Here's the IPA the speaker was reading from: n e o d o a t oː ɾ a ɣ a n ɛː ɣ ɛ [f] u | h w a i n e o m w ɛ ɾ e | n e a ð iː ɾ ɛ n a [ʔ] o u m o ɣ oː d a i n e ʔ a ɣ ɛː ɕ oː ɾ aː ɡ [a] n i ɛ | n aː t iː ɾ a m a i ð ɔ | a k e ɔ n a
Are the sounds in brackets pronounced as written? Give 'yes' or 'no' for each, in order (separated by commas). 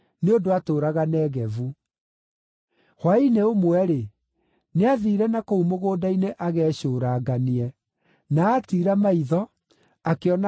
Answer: no, no, yes